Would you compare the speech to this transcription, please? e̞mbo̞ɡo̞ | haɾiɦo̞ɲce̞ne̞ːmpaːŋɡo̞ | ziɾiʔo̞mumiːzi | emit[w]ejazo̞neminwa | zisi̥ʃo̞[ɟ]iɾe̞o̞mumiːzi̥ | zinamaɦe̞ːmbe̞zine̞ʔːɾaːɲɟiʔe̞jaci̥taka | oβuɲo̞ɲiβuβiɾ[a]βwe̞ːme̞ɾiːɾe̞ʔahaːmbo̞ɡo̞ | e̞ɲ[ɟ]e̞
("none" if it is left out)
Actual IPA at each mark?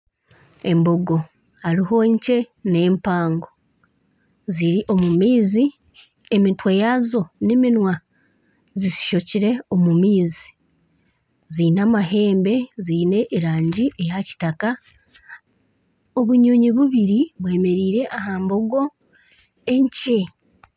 w, c, i, c

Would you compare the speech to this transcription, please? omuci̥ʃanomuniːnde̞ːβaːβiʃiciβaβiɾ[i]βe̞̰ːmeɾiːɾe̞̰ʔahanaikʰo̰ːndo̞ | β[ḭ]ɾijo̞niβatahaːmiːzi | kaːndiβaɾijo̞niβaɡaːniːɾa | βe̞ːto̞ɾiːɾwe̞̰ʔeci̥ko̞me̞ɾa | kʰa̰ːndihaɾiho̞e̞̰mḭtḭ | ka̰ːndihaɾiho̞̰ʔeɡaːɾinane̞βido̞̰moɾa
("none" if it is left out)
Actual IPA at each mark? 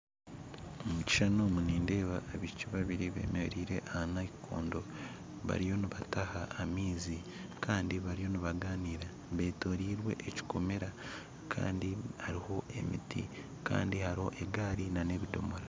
i, a̰

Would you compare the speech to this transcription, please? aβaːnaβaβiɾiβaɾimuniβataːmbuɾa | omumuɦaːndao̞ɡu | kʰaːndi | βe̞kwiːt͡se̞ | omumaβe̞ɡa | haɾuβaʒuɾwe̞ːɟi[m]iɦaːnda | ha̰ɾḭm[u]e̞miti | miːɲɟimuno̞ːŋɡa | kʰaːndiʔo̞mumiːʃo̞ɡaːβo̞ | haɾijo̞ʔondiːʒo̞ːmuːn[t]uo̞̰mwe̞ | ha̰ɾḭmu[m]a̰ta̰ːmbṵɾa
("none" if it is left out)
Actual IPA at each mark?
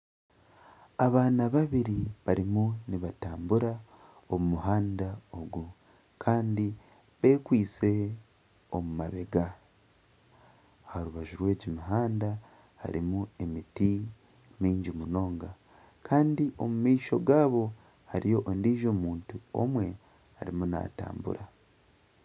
m, u, t, n

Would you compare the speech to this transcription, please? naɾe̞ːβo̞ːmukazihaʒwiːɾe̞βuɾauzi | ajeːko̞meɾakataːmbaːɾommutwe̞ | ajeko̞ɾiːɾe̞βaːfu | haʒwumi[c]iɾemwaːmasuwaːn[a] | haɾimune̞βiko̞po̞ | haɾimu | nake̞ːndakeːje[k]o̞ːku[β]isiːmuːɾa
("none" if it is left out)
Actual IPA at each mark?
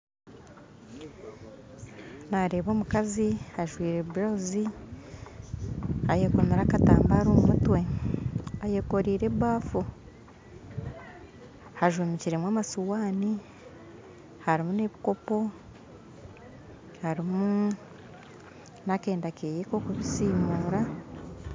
c, i, k, β

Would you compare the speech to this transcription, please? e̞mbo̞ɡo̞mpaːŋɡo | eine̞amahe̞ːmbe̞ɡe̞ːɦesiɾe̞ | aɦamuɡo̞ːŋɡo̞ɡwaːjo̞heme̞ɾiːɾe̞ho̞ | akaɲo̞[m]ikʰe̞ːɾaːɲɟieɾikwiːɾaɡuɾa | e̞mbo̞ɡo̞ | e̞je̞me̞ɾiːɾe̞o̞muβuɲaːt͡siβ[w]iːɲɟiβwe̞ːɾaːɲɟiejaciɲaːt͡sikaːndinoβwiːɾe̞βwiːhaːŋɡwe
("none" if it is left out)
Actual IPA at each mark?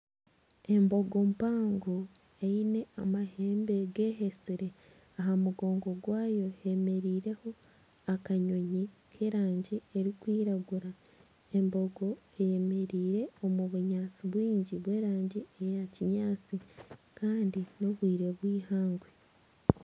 ɲ, w

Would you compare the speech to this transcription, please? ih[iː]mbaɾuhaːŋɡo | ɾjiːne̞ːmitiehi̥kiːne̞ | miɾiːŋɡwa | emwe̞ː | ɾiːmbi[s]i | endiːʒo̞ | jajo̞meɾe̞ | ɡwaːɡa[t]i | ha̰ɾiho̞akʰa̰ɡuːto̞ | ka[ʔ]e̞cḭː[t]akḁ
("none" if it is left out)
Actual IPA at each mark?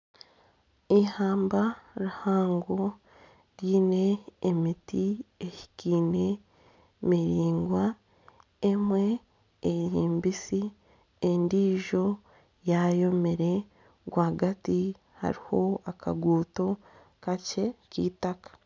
aː, s, t, c, t

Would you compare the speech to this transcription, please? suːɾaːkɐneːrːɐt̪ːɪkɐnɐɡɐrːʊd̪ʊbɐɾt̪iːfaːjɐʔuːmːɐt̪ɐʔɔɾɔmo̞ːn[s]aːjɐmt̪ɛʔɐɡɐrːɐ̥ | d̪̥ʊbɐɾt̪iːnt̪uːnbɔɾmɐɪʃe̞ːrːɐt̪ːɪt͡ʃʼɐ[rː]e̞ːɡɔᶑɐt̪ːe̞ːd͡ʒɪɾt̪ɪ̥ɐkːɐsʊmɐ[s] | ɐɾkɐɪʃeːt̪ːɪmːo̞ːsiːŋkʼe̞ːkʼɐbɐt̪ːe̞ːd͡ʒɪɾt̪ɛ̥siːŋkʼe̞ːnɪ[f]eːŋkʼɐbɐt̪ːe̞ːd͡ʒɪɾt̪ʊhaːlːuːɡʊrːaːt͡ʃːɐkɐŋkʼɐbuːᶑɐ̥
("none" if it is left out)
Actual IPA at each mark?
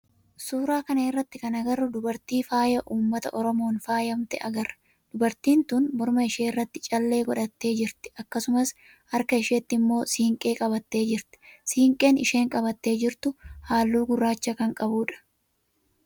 f, lː, s, ʃ

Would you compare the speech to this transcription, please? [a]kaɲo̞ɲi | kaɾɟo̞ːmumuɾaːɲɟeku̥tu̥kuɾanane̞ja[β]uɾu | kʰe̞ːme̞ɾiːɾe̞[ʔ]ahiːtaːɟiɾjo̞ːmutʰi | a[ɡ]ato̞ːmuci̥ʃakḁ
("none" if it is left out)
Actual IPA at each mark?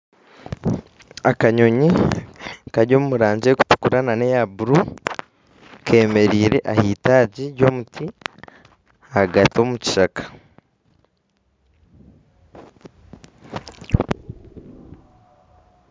a, b, ʔ, ɡ

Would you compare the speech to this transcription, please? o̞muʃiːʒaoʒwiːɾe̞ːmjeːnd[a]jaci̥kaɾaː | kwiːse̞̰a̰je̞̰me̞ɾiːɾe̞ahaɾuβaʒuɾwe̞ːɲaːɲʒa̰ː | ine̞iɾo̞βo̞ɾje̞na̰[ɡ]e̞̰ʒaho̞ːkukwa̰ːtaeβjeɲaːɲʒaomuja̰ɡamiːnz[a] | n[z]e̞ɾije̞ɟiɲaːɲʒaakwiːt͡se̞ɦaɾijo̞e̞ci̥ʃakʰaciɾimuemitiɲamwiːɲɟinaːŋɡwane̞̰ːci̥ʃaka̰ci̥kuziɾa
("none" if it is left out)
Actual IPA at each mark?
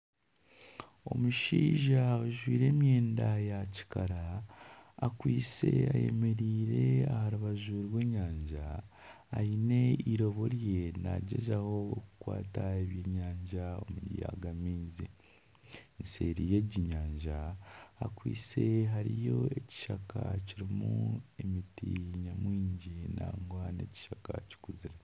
a, ɟ, i, s

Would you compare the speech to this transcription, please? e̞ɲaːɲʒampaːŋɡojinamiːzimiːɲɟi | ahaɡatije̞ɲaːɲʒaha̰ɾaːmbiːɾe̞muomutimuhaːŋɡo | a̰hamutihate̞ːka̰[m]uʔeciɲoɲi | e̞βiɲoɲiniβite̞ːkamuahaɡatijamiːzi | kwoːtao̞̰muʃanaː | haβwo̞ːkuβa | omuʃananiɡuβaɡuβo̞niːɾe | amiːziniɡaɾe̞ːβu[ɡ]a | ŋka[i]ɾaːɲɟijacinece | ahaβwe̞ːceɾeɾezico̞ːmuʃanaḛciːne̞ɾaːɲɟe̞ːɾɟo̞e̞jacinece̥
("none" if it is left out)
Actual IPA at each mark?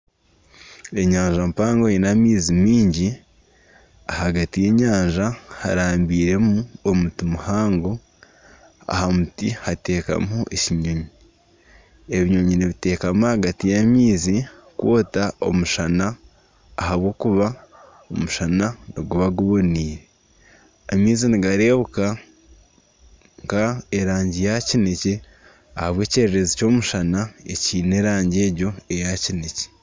m, k, e

